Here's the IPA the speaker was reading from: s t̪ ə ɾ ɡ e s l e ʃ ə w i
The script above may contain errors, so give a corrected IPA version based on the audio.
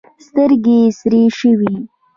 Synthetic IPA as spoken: s t̪ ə ɾ ɡ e s ɾ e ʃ ə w i